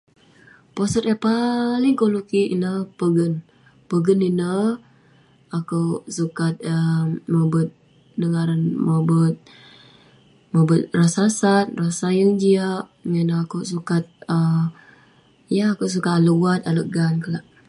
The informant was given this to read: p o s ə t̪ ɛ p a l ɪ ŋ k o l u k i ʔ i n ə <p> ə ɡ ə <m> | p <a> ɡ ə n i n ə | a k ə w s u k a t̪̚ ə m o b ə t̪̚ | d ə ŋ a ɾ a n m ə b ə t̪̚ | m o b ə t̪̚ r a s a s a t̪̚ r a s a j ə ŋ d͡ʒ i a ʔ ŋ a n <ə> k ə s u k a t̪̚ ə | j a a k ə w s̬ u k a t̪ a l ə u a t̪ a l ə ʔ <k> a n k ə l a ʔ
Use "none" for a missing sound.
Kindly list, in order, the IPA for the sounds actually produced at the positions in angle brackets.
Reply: p, n, ə, a, ɡ

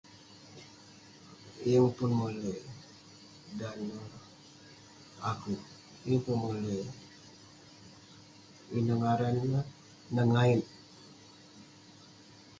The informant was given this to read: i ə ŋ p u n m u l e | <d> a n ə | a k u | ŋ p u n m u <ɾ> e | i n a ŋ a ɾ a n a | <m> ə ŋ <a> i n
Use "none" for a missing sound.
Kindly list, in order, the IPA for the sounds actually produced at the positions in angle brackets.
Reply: d, l, n, a

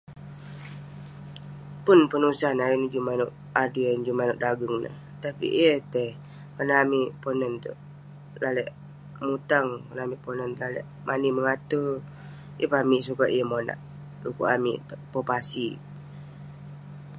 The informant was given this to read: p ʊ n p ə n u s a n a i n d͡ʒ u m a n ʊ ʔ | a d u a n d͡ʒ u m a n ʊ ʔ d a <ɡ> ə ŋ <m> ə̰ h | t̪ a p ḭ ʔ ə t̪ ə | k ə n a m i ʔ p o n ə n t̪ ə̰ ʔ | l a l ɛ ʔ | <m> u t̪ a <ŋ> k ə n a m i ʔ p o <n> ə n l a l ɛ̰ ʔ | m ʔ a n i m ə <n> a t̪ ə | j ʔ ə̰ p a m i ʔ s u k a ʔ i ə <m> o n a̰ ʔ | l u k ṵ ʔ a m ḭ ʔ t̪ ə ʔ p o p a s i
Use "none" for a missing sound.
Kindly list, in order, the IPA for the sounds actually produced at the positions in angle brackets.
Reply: ɡ, n, m, ŋ, n, ŋ, m

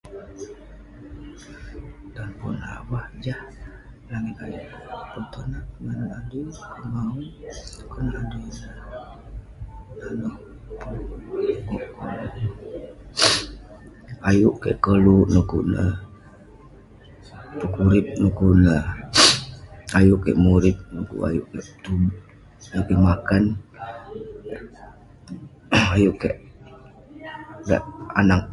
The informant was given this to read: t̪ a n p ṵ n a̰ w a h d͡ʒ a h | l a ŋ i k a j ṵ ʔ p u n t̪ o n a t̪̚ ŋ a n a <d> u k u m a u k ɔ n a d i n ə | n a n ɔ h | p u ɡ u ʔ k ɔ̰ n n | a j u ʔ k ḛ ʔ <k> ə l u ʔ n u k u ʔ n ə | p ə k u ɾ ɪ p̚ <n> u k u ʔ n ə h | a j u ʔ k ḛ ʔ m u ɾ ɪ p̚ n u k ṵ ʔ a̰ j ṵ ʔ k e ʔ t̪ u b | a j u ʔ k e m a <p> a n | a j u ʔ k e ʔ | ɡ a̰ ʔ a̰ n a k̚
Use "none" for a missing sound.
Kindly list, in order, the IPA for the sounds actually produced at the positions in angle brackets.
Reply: d, k, n, k

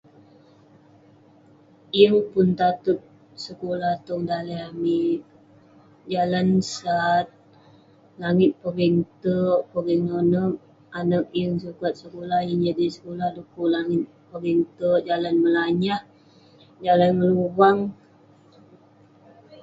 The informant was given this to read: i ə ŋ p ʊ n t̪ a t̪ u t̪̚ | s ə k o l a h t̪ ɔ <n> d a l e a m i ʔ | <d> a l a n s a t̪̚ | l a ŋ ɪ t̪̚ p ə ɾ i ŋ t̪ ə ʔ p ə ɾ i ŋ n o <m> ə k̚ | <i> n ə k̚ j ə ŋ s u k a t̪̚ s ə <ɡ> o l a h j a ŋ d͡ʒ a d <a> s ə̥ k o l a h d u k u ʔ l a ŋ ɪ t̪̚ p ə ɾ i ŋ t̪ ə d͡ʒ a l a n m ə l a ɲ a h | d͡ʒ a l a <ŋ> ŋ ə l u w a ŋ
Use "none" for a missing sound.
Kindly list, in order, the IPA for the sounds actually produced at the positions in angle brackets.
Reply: ŋ, d͡ʒ, n, a, k, i, n

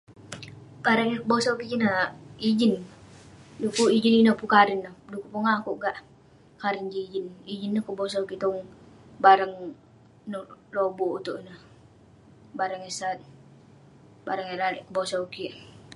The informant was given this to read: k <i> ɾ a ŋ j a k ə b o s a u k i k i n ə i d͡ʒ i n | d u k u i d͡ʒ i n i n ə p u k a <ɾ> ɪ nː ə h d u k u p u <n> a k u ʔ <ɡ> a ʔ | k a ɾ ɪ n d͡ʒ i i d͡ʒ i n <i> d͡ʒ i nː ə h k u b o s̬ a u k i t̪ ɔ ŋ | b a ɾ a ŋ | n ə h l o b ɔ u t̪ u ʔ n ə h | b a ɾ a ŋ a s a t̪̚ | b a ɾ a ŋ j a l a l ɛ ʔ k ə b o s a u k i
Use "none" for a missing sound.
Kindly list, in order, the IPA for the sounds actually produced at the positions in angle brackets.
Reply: a, ɾ, ŋ, ɡ, i

